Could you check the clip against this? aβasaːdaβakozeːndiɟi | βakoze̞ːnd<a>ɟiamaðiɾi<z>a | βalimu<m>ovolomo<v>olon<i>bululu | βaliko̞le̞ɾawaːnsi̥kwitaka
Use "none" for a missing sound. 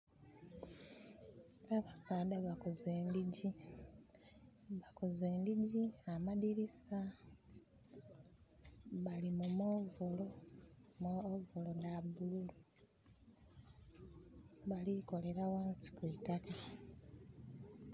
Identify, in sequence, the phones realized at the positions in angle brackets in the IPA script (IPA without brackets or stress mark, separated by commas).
i, s, m, v, a